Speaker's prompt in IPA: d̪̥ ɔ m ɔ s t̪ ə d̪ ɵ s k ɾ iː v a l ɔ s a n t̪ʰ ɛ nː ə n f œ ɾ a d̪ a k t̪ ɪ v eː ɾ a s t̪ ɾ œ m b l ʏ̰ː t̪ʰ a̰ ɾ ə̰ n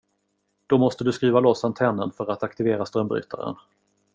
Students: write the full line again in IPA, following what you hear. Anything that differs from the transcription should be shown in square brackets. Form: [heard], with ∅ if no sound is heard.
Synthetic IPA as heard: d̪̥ ɔ m ɔ s t̪ ə d̪ ɵ s k ɾ iː v a l ɔ s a n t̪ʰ ɛ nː ə n f œ ɾ a [t̪] a k t̪ ɪ v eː ɾ a s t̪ ɾ œ m b [ɾ] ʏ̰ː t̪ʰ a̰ ɾ ə̰ n